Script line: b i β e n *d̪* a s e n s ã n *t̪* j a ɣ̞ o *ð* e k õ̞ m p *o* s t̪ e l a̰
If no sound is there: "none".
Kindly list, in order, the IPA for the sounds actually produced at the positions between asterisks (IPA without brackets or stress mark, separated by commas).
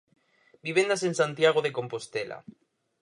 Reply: d̪, t̪, ð, o